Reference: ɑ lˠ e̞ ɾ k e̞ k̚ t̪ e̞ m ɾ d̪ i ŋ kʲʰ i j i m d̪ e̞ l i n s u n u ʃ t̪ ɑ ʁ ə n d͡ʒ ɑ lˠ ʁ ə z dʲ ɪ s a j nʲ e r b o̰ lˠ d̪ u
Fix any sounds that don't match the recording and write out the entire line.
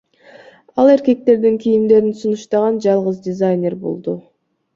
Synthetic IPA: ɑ lˠ e̞ ɾ k e̞ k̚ t̪ e̞ ɾ d̪ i ŋ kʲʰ i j i m d̪ e̞ ɾ i n s u n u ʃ t̪ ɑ ʁ ɑ n d͡ʒ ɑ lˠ ʁ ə z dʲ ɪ z a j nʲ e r b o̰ lˠ d̪ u